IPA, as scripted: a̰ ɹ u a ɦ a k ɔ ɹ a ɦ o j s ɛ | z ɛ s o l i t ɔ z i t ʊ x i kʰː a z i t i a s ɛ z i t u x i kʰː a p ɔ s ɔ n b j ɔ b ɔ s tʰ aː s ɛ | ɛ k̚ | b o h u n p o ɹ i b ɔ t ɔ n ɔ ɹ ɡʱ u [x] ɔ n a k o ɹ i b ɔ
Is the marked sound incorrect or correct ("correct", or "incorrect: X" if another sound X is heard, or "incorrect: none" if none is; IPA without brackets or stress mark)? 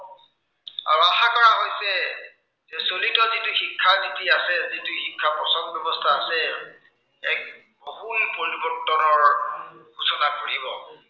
incorrect: s